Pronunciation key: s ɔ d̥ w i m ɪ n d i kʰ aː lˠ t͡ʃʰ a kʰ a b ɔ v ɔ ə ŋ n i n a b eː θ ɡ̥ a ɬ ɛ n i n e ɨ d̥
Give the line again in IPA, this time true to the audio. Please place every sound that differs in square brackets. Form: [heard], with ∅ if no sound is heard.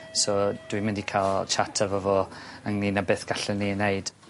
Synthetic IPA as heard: s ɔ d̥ w i m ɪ n d i kʰ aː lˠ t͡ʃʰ a [tʰ] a [v] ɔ v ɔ ə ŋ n i n a b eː θ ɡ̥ a ɬ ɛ n i n e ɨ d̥